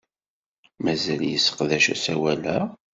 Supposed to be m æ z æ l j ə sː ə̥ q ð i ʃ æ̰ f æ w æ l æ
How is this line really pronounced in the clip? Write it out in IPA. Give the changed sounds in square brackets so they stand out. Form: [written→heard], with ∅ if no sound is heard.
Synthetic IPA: m æ z æ l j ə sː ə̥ q ð [i→æ] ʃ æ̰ [f→s] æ w æ l æ